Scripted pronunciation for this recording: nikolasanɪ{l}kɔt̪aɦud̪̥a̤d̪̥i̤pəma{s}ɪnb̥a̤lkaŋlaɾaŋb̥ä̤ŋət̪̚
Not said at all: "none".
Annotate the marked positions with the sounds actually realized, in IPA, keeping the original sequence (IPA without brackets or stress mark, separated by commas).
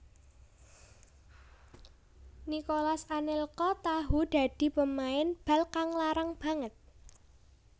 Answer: l, none